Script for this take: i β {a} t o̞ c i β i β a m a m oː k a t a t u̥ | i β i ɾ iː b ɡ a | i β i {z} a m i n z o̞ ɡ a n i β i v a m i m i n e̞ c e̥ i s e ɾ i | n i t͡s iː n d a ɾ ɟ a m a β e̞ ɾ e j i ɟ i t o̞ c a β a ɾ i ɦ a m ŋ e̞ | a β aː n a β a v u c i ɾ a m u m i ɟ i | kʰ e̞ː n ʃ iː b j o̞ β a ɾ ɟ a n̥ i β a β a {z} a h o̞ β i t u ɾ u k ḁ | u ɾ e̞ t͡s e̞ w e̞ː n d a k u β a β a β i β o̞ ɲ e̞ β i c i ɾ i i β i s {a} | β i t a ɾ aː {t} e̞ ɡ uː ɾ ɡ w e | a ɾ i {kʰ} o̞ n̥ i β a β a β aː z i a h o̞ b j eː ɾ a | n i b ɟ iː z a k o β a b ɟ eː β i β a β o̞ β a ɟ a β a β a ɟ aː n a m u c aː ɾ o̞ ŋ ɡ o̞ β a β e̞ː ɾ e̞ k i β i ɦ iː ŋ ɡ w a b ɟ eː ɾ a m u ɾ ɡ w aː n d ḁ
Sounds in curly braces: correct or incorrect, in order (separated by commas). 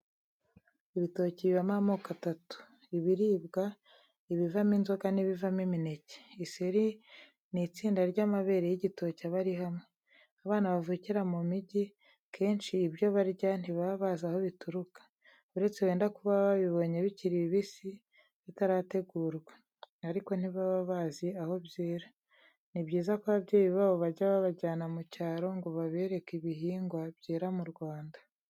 incorrect, incorrect, correct, incorrect, correct, incorrect